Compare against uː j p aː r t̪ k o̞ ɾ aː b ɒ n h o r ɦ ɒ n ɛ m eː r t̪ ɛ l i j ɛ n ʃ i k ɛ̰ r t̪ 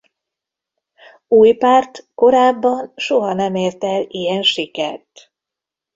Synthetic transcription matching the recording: uː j p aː r t̪ k o̞ ɾ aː bː ɒ n ʃ o ɦ ɒ n ɛ m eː r t̪ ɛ l i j ɛ n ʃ i k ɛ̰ r t̪